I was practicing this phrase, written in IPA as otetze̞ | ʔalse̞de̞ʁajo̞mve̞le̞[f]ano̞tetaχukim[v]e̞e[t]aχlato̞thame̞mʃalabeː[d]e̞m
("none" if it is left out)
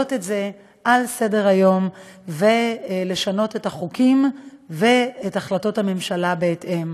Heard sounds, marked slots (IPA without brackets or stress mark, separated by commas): ʃ, v, t, t